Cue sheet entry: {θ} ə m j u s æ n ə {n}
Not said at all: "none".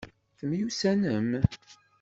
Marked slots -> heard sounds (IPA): θ, m

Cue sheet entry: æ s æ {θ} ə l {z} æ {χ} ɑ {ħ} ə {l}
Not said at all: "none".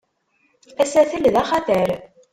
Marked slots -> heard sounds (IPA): θ, ð, χ, θ, ɾ

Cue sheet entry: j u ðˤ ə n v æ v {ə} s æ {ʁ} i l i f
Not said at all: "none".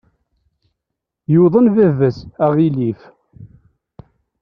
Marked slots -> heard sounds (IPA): ə, ʁ

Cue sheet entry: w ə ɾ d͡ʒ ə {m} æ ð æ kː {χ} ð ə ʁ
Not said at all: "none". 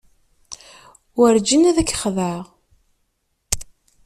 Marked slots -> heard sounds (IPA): n, χ

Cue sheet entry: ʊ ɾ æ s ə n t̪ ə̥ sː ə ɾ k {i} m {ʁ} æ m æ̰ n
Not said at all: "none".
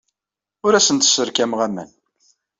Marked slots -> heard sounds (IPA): æ, ʁ

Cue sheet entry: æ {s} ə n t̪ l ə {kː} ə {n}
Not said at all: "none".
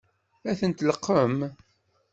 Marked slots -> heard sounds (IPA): θ, qː, m

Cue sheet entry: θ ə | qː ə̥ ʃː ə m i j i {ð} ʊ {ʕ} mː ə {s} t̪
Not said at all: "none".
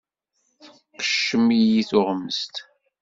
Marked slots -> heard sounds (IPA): θ, ʁ, s

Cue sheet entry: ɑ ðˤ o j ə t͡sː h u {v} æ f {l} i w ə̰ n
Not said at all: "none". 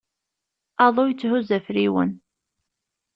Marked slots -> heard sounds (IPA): z, ɾ

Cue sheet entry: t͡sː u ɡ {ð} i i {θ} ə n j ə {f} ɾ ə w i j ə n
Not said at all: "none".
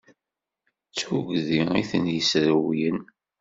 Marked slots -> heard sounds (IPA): ð, θ, s

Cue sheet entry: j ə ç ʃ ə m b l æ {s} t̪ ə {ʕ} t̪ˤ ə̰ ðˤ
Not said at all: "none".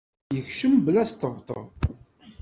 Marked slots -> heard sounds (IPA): s, v

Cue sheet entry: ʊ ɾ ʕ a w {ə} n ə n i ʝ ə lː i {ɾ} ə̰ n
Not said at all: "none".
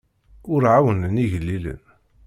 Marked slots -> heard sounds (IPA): ə, l

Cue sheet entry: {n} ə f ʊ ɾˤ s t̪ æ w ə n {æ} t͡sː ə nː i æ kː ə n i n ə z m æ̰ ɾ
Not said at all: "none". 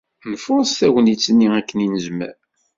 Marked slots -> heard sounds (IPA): n, i

